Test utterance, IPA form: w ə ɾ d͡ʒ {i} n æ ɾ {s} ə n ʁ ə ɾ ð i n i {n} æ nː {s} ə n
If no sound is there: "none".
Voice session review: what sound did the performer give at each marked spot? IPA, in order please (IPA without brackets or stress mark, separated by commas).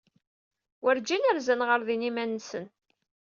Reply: i, z, m, s